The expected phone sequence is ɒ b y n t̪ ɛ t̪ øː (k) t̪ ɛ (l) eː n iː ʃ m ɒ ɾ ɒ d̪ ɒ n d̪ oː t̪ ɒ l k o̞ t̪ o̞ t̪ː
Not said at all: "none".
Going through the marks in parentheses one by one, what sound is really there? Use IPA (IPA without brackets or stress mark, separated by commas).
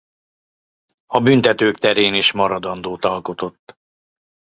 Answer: k, ɾ